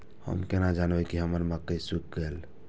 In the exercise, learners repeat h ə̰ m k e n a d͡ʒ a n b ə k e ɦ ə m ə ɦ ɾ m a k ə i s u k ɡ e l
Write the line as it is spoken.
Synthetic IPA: h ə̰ m k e n a d͡ʒ a n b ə k i ɦ ə m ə ɾ m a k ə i s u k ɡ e l